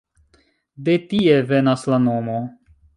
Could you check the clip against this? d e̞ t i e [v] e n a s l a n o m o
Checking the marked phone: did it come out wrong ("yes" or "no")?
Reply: no